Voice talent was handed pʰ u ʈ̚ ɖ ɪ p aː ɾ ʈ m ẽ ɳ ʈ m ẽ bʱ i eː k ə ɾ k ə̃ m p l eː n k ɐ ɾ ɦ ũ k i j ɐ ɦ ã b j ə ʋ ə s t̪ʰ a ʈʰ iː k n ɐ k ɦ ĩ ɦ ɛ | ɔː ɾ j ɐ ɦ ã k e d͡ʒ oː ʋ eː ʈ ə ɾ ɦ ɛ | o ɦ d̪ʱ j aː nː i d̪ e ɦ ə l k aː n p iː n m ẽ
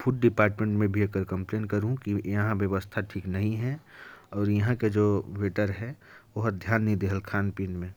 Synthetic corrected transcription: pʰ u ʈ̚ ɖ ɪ p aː ɾ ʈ m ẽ ɳ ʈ m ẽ bʱ i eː k ə ɾ k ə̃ m p l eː n k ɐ ɾ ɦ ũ k i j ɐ ɦ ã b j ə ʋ ə s t̪ʰ a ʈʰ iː k n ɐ ɦ ĩ ɦ ɛ | ɔː ɾ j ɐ ɦ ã k e d͡ʒ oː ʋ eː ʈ ə ɾ ɦ ɛ | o ɦ d̪ʱ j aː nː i d̪ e ɦ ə l kʰ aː n p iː n m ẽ

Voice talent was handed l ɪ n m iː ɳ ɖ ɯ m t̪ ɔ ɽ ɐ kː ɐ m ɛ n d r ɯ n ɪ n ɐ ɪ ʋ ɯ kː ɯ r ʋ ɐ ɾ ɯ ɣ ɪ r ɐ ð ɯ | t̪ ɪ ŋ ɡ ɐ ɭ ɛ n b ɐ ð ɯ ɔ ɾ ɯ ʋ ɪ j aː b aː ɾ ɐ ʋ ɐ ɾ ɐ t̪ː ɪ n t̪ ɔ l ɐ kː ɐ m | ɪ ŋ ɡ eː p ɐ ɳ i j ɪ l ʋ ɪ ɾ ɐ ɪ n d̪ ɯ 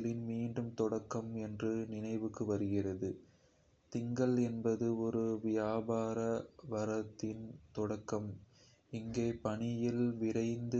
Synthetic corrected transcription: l ɪ n m iː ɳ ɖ ɯ m t̪ ɔ ɽ ɐ kː ɐ m ɛ n d r ɯ n ɪ n ɐ ɪ ʋ ɯ kː ɯ ʋ ɐ ɾ ɯ ɣ ɪ r ɐ ð ɯ | t̪ ɪ ŋ ɡ ɐ ɭ ɛ n b ɐ ð ɯ ɔ ɾ ɯ ʋ ɪ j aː b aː ɾ ɐ ʋ ɐ ɾ ɐ t̪ː ɪ n t̪ ɔ ɽ ɐ kː ɐ m | ɪ ŋ ɡ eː p ɐ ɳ ɪ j ɪ l ʋ ɪ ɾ ɐ ɪ n d̪ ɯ

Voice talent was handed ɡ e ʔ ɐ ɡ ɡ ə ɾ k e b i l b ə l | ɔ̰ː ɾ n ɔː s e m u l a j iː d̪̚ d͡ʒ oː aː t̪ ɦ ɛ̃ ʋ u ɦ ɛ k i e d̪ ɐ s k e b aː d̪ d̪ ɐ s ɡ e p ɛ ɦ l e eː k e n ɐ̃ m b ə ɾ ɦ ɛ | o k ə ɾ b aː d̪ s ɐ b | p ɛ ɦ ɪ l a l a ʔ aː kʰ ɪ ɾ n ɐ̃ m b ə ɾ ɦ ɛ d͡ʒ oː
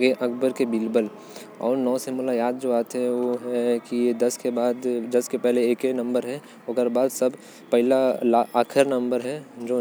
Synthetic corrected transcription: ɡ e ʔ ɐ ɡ b ə ɾ k e b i l b ə l | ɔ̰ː ɾ n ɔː s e m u l a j aː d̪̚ d͡ʒ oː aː t̪ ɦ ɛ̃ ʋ o ɦ ɛ k i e d̪ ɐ s k e b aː d̪ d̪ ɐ s k e p ɛ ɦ l e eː k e n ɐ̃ m b ə ɾ ɦ ɛ | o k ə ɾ b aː d̪ s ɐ b | p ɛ ɦ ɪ l a l a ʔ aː kʰ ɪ ɾ n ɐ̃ m b ə ɾ ɦ ɛ d͡ʒ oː

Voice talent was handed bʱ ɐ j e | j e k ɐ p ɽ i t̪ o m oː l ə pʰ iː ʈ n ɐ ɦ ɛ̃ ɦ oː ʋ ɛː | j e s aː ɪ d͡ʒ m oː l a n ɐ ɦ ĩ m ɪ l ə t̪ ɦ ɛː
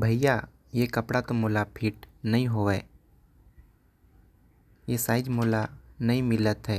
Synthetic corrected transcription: bʱ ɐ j a | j e k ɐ p ɽ a t̪ o m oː l a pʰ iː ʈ n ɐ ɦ ĩ ɦ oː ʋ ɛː | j e s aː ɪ d͡ʒ m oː l a n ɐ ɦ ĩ m ɪ l ə t̪ ɦ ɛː

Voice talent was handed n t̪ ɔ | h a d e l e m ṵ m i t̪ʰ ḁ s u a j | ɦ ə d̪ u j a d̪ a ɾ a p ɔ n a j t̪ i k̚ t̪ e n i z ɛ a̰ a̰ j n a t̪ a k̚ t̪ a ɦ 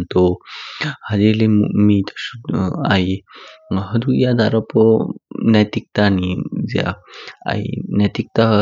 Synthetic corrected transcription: n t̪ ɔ | h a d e l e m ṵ m i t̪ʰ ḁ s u a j | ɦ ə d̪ u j a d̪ a ɾ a p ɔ n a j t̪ i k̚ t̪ a n i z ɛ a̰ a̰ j n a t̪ i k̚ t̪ a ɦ

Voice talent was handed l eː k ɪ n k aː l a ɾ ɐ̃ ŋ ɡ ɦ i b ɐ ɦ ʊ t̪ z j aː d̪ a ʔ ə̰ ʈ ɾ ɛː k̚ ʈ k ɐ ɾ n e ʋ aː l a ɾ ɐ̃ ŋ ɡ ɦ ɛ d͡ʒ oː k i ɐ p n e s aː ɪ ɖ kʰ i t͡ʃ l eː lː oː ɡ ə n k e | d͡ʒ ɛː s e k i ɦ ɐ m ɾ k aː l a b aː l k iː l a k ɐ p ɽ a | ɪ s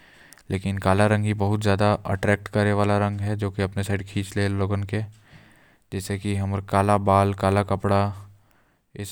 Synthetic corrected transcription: l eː k ɪ n k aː l a ɾ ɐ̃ ŋ ɡ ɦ i b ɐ ɦ ʊ t̪ z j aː d̪ a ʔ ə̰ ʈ ɾ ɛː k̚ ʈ k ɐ ɾ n e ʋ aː l a ɾ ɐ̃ ŋ ɡ ɦ ɛ d͡ʒ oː k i ɐ p n e s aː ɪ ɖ kʰ iː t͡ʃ l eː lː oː ɡ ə n k e | d͡ʒ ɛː s e k i ɦ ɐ m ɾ k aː l a b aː l k aː l a k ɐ p ɽ a | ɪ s

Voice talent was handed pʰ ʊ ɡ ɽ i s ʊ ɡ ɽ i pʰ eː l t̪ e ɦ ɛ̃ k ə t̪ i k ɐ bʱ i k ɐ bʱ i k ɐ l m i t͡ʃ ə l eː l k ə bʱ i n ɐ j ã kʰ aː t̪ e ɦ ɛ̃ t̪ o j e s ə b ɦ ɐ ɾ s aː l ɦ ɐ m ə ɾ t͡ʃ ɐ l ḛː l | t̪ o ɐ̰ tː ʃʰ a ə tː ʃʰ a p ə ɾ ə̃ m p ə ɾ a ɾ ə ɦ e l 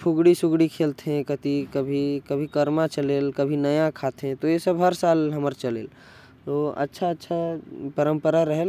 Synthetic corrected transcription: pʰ ʊ ɡ ɽ i s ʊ ɡ ɽ i kʰ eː l t̪ e ɦ ɛ̃ k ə t̪ i k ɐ bʱ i k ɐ bʱ i k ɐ ɾ m a t͡ʃ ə l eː l k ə bʱ i n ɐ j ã kʰ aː t̪ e ɦ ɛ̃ t̪ o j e s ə b ɦ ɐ ɾ s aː l ɦ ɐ m ə ɾ t͡ʃ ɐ l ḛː l | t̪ o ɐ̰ tː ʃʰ a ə tː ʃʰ a p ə ɾ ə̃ m p ə ɾ a ɾ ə ɦ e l

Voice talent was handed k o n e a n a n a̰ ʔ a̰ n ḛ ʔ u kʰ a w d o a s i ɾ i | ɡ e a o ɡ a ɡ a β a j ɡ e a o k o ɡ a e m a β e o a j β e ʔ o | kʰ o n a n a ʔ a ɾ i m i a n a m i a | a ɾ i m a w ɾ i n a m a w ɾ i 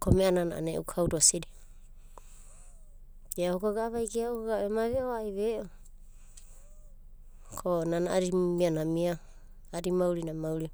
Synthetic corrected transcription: k o m e a n a n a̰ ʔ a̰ n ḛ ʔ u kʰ a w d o a s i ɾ i | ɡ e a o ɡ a ɡ a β a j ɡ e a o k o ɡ a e m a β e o a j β e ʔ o | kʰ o n a n a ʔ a ɾ i m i a n a m i a | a ɾ i m a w ɾ i n a m a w ɾ i

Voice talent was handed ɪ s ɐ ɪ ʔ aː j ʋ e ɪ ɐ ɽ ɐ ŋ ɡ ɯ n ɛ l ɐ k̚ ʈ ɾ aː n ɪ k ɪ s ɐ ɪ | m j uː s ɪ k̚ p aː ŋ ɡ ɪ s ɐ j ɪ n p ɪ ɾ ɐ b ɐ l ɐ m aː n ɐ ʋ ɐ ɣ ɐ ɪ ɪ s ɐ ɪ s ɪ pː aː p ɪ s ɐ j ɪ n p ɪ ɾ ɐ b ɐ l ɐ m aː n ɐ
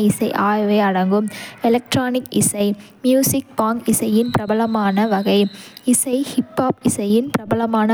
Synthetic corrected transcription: ɪ s ɐ ɪ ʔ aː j ʋ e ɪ ɐ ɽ ɐ ŋ ɡ ɯ m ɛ l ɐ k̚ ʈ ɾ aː n ɪ k ɪ s ɐ ɪ | m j uː s ɪ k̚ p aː ŋ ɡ ɪ s ɐ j ɪ n p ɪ ɾ ɐ b ɐ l ɐ m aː n ɐ ʋ ɐ ɣ ɐ ɪ ɪ s ɐ ɪ h ɪ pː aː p ɪ s ɐ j ɪ n p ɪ ɾ ɐ b ɐ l ɐ m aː n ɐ

